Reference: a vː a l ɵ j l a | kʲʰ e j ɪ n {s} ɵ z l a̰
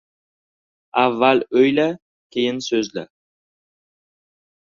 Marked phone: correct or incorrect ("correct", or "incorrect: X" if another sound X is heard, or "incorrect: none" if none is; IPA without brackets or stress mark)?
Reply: correct